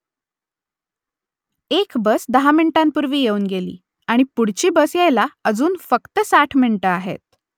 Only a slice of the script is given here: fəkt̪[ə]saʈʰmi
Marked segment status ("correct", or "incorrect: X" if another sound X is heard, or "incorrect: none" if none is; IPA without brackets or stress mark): correct